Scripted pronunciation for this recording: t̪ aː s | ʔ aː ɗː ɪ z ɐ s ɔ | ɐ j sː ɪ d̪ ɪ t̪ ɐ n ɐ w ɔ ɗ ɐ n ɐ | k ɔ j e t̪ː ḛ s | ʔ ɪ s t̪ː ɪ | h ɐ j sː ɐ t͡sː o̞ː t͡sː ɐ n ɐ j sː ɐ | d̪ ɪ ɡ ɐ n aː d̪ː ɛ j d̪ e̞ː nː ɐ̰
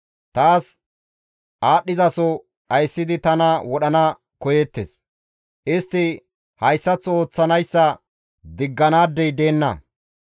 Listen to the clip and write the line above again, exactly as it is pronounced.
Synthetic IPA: t̪ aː s | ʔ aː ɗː ɪ z ɐ s ɔ | ɐ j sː ɪ d̪ ɪ t̪ ɐ n ɐ w ɔ ɗ ɐ n ɐ | k ɔ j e t̪ː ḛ s | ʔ ɪ s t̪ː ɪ | h ɐ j sː ɐ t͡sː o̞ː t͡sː ɐ n ɐ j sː ɐ | d̪ ɪ ɡː ɐ n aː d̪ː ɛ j d̪ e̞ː nː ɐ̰